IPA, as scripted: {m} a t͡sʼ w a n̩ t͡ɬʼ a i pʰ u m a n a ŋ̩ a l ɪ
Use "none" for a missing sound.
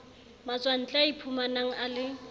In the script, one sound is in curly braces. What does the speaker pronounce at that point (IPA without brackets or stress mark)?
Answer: m